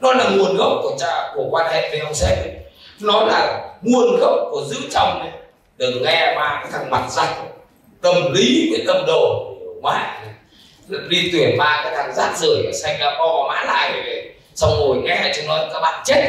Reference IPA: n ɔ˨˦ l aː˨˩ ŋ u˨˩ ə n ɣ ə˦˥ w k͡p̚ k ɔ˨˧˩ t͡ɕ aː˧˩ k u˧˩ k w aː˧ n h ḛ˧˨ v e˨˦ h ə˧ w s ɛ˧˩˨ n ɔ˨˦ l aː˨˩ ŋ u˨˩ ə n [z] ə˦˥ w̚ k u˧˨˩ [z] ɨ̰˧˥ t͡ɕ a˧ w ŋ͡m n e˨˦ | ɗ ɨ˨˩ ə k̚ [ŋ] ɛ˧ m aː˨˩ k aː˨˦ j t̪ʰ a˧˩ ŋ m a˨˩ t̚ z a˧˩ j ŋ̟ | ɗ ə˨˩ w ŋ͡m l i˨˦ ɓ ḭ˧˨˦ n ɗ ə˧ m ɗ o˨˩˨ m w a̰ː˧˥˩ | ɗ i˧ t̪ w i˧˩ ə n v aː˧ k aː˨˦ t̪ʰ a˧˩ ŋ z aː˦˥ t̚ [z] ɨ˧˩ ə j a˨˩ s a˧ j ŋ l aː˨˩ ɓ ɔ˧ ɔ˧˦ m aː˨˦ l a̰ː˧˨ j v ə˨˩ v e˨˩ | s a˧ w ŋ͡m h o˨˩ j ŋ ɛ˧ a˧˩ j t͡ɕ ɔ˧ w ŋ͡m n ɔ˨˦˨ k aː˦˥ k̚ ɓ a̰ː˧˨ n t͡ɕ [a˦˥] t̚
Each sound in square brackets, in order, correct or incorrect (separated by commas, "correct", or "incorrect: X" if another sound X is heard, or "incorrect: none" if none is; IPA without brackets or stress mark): incorrect: ɣ, correct, correct, correct, incorrect: e˦˥